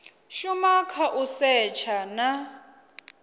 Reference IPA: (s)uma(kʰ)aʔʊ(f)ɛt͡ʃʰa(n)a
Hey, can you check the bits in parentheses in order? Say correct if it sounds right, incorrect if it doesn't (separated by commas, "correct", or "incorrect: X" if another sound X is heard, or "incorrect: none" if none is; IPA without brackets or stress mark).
incorrect: ʃ, correct, incorrect: s, correct